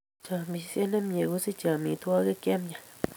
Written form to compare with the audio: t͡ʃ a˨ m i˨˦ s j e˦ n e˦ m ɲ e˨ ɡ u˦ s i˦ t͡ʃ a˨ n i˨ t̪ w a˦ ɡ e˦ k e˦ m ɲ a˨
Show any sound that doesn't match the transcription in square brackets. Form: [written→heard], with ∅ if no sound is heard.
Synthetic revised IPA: t͡ʃ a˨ m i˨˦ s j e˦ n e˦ m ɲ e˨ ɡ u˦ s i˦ t͡ʃ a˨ [n→m] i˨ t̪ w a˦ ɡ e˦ k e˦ m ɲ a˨